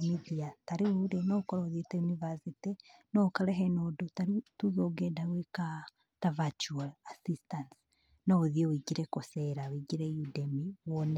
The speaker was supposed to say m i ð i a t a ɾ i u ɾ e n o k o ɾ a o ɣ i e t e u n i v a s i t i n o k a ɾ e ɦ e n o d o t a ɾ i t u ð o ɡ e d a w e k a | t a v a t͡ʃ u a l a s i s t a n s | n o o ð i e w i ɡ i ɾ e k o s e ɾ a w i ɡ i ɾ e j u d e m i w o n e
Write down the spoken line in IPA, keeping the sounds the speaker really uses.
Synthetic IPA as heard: m i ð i a t a ɾ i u ɾ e n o k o ɾ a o ð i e t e u n i v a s i t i n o k a ɾ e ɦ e n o d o t a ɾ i t u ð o ɡ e d a w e k a | t a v a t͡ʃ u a l a s i s t a n s | n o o ð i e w i ɡ i ɾ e k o s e ɾ a w i ɡ i ɾ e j u d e m i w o n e